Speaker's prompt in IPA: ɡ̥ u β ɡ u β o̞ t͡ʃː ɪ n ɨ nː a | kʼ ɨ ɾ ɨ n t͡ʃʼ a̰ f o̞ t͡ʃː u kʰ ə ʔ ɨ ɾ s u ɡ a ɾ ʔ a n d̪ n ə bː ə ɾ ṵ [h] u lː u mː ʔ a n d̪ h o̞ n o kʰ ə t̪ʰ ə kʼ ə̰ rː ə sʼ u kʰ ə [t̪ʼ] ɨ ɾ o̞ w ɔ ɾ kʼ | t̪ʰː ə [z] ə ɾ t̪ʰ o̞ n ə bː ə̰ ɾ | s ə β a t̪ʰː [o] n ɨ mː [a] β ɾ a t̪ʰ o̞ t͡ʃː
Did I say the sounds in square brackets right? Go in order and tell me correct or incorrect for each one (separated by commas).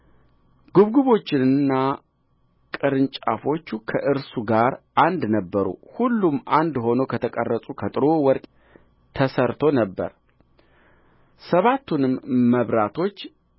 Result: correct, correct, incorrect, incorrect, incorrect